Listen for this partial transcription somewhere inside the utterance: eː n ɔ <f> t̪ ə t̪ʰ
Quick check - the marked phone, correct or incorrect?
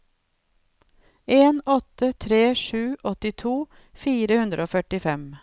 incorrect